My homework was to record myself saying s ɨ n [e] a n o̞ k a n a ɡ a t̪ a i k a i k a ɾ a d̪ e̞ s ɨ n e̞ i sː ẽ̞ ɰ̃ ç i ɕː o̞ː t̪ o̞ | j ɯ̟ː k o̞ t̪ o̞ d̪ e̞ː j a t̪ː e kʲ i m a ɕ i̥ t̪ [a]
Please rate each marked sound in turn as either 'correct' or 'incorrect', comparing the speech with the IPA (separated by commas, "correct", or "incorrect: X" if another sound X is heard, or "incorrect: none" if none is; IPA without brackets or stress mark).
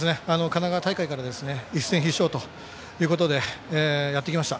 correct, correct